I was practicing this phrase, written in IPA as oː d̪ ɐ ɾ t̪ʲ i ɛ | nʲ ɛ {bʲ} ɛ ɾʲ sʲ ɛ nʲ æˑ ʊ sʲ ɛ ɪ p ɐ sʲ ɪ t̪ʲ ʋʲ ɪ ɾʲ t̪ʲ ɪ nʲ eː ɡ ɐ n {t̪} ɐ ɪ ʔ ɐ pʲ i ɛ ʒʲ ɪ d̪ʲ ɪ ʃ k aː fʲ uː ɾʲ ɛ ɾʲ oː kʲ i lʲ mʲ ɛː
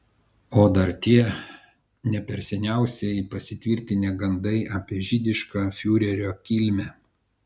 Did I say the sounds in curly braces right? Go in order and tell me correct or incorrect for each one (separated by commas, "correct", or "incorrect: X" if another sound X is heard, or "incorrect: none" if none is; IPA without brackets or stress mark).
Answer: incorrect: pʲ, incorrect: d̪